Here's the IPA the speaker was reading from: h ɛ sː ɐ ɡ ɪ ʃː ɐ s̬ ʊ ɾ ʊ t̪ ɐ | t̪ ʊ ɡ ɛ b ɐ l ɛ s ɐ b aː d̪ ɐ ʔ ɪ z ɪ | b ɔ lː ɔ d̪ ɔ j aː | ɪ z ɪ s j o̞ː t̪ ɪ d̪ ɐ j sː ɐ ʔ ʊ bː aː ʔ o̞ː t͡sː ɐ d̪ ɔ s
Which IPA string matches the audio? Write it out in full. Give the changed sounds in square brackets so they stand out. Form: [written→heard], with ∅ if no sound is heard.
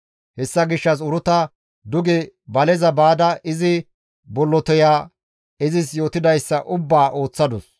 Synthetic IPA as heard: h ɛ sː ɐ ɡ ɪ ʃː ɐ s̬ ʊ ɾ ʊ t̪ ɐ | [t̪→d̪] ʊ ɡ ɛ b ɐ l ɛ [s→z] ɐ b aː d̪ ɐ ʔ ɪ z ɪ | b ɔ lː ɔ [d̪→t̪] ɔ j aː | ɪ z ɪ s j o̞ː t̪ ɪ d̪ ɐ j sː ɐ ʔ ʊ bː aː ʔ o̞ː t͡sː ɐ d̪ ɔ s